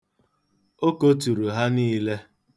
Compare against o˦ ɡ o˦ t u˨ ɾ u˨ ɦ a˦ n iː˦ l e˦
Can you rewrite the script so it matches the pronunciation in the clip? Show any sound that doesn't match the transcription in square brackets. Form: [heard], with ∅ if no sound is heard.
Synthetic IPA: o˦ [k] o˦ t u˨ ɾ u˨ ɦ a˦ n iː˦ l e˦